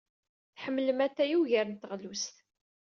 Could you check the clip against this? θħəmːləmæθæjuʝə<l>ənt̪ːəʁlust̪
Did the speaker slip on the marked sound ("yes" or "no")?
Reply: yes